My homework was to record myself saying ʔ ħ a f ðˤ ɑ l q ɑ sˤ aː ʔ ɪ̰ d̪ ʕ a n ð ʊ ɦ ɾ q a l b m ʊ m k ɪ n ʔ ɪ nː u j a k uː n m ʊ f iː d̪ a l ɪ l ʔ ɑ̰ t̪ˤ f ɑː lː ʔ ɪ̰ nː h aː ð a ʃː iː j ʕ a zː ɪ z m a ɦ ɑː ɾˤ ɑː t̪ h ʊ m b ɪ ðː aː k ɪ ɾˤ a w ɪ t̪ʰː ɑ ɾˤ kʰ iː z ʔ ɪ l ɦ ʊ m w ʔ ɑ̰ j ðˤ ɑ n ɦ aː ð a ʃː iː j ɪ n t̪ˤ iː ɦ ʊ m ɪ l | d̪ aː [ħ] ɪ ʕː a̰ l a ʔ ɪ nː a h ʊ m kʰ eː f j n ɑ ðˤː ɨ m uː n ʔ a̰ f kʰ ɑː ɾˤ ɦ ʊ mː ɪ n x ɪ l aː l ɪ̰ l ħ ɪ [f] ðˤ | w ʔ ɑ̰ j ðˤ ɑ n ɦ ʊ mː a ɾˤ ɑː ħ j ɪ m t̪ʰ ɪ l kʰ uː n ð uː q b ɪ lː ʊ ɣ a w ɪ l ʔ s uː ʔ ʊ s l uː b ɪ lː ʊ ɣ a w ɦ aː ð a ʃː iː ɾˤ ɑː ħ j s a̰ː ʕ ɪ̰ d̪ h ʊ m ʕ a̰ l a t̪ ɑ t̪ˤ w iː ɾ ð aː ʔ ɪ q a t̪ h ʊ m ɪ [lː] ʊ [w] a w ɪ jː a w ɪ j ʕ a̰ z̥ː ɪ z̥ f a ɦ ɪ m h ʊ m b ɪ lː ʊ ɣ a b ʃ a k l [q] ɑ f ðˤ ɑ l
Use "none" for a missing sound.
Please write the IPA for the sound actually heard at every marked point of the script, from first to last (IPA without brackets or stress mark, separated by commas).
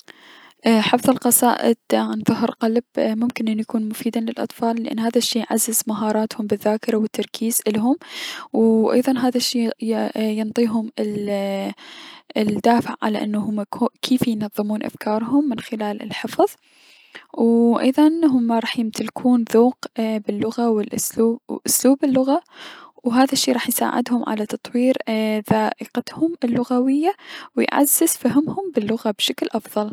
f, f, lː, ɣ, ʔ